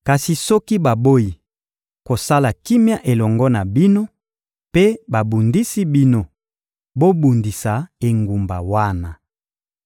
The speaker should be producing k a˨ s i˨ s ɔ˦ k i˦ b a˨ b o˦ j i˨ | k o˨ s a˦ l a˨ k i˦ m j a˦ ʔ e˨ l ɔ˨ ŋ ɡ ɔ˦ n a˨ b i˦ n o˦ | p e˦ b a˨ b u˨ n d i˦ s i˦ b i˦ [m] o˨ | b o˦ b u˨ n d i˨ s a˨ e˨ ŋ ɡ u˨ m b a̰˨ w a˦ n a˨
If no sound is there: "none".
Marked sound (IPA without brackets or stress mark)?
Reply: n